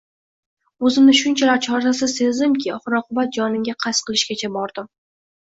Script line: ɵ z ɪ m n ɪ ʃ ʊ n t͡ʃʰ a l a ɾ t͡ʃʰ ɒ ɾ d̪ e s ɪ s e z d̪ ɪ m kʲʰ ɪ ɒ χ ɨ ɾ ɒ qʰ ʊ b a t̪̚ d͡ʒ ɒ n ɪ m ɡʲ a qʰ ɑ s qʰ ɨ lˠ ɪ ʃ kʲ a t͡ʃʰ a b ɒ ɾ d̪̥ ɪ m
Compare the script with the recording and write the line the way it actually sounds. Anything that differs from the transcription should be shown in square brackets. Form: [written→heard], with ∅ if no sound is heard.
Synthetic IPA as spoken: ɵ z ɪ m n ɪ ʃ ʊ n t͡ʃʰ a l a ɾ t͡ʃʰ ɒ ɾ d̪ [e→a] s ɪ s e z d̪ ɪ m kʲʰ ɪ ɒ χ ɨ ɾ ɒ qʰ ʊ b a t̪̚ d͡ʒ ɒ n ɪ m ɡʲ a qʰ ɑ s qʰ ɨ lˠ ɪ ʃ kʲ a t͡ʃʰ a b ɒ ɾ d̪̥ ɪ m